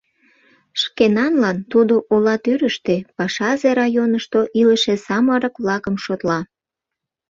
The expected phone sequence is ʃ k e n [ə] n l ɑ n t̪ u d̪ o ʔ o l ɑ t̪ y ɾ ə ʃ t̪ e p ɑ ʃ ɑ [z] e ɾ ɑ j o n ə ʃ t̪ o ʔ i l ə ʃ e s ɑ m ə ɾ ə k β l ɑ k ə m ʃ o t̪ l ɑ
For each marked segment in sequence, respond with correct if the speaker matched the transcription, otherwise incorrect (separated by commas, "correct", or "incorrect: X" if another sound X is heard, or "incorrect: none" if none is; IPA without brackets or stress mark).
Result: incorrect: ɑ, correct